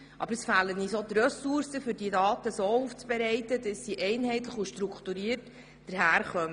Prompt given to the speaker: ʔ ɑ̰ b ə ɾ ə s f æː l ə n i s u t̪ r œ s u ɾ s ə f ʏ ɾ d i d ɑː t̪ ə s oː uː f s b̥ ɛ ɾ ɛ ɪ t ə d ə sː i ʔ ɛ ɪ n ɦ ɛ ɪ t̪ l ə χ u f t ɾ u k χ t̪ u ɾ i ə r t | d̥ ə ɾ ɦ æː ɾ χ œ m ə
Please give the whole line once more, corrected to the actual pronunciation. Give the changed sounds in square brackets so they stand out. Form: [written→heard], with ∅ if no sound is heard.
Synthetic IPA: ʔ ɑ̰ b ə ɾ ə s f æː l ə n i s [u→o] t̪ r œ s u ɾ s ə f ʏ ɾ d i d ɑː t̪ ə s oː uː f [s→t͡s] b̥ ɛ ɾ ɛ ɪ t ə d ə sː i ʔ ɛ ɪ n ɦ ɛ ɪ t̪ l ə χ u [f→ʃ] t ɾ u k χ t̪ u ɾ i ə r t | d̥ ə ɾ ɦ æː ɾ χ œ m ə